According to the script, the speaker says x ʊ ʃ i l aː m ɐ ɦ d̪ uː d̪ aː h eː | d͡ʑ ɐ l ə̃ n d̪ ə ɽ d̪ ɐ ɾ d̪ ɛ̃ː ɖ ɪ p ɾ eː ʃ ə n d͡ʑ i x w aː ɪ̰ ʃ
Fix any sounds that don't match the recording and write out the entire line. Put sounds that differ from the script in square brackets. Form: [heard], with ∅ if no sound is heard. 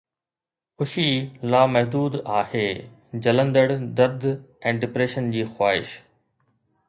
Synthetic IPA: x ʊ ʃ i l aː m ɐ ɦ d̪ uː d̪ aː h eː | d͡ʑ ɐ l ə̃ n d̪ ə ɽ d̪ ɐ ɾ d̪ ɛ̃ː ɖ ɪ p ɾ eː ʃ ə n d͡ʑ [iː] x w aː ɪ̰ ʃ

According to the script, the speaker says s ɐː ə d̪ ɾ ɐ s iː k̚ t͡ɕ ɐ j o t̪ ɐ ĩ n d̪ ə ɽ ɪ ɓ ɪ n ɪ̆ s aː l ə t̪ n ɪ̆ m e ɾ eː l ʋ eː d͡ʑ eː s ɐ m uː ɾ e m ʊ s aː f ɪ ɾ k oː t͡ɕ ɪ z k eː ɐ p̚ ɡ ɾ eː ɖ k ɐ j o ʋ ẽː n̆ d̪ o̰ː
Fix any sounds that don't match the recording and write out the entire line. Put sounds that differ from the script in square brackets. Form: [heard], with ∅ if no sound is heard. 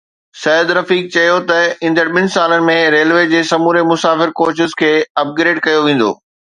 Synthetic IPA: s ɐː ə d̪ ɾ ɐ [f] iː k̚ t͡ɕ ɐ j o t̪ ɐ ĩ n d̪ ə ɽ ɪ ɓ ɪ n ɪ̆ s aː l ə [∅] n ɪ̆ m [ẽ] ɾ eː l ʋ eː d͡ʑ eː s ɐ m uː ɾ e m ʊ s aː f ɪ ɾ k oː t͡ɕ ɪ z [kʰ] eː ɐ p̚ ɡ ɾ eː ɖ k ɐ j o ʋ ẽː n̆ d̪ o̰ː

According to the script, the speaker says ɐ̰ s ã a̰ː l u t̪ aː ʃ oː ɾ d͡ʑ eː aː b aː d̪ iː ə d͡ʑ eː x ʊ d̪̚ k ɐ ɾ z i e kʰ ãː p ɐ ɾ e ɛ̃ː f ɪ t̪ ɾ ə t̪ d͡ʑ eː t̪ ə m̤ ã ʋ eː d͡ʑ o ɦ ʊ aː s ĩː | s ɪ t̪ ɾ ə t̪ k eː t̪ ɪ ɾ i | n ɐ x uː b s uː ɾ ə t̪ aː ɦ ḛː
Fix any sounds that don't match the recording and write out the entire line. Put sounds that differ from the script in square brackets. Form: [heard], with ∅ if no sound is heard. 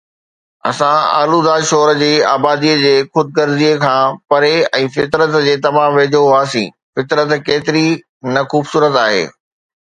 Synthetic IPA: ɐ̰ s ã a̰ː l u [d̪] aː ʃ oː ɾ d͡ʑ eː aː b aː d̪ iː ə d͡ʑ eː x ʊ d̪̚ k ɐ ɾ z i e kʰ ãː p ɐ ɾ e ɛ̃ː f ɪ t̪ ɾ ə t̪ d͡ʑ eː t̪ [ɐ] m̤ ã ʋ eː d͡ʑ o ɦ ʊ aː s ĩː | [f] ɪ t̪ ɾ ə t̪ k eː t̪ ɪ ɾ i | n ɐ x uː b s uː ɾ ə t̪ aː ɦ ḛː

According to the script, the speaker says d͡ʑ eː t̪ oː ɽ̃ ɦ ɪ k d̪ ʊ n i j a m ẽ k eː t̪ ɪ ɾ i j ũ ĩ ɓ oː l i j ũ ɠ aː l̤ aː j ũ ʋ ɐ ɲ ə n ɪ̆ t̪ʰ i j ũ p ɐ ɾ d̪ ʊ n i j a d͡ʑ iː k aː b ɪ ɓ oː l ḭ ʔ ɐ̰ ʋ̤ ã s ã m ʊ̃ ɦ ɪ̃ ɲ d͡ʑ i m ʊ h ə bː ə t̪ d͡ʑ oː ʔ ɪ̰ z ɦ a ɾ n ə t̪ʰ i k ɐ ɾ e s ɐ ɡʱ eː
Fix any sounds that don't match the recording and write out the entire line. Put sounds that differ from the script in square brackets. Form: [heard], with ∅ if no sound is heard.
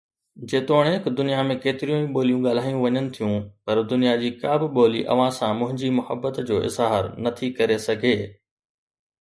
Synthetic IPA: d͡ʑ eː t̪ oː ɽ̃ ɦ ɪ k d̪ ʊ n i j a m ẽ k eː t̪ ɪ ɾ i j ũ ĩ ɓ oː l i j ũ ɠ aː l̤ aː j ũ ʋ ɐ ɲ ə n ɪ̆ t̪ʰ i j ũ p ɐ ɾ d̪ ʊ n i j a d͡ʑ iː k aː b ɪ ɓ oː l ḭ ʔ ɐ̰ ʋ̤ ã s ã m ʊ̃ ɦ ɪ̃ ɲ d͡ʑ i m ʊ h ə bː ə t̪ d͡ʑ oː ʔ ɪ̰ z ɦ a ɾ n [ɐ] t̪ʰ i k ɐ ɾ e s ɐ ɡʱ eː

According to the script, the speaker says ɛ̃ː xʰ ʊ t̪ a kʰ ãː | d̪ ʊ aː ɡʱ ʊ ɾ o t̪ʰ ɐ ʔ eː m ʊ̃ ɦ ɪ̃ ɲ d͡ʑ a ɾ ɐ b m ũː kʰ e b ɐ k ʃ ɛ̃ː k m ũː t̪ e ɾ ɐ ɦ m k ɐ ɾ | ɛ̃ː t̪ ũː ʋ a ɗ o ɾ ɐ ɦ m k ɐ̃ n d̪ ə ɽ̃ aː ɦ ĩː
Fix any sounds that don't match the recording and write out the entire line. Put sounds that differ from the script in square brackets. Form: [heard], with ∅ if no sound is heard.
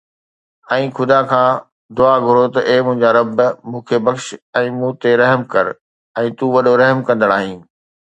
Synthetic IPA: ɛ̃ː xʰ ʊ [d̪] a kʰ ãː | d̪ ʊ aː ɡʱ ʊ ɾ o [t̪] ɐ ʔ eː m ʊ̃ ɦ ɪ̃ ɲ d͡ʑ a ɾ ɐ b m ũː kʰ e b ɐ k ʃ ɛ̃ː [∅] m ũː t̪ e ɾ ɐ ɦ m k ɐ ɾ | ɛ̃ː t̪ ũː ʋ [ɐ] ɗ o ɾ ɐ ɦ m k ɐ̃ n d̪ ə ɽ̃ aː ɦ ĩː

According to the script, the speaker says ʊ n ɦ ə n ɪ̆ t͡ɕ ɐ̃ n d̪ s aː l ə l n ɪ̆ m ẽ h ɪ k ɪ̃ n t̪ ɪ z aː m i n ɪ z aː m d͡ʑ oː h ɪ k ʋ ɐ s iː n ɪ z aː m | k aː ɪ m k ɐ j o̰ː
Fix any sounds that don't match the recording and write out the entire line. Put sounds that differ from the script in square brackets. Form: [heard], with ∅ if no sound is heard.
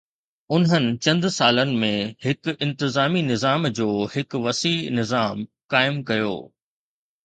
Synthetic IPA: ʊ n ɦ ə n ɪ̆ t͡ɕ ɐ̃ n d̪ s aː l ə [∅] n ɪ̆ m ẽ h ɪ k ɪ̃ n t̪ ɪ z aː m i n ɪ z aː m d͡ʑ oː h ɪ k ʋ ɐ s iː n ɪ z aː m | k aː ɪ m k ɐ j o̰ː

